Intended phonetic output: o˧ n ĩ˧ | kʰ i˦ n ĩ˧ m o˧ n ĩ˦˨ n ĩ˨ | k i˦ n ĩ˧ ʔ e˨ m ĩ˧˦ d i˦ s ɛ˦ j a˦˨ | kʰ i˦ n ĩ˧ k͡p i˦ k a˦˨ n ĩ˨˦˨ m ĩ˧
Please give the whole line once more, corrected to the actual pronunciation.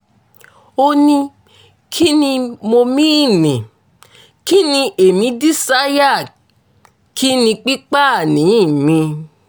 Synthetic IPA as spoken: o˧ n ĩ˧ | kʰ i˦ n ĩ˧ m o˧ m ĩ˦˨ n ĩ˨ | k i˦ n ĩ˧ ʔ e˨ m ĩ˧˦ d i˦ s a˦ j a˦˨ | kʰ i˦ n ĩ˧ k͡p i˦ k͡p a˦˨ n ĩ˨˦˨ m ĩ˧